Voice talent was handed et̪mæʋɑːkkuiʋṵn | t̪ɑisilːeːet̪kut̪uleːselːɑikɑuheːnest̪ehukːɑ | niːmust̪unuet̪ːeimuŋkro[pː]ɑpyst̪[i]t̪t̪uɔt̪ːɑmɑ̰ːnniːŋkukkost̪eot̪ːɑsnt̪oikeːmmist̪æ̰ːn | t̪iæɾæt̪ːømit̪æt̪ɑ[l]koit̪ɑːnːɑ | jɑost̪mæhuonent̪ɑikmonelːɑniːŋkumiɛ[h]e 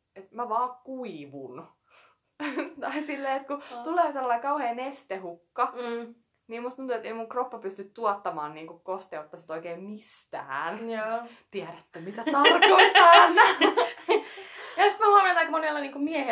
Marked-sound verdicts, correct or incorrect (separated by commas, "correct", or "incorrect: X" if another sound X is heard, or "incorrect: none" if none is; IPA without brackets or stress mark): correct, incorrect: y, incorrect: r, correct